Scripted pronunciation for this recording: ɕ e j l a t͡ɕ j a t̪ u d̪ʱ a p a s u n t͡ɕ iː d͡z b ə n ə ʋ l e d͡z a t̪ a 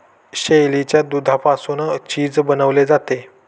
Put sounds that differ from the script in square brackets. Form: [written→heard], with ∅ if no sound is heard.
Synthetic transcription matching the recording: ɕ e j l [a→i] t͡ɕ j a [t̪→d̪] u d̪ʱ a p a s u n t͡ɕ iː d͡z b ə n ə ʋ l e d͡z a t̪ [a→e]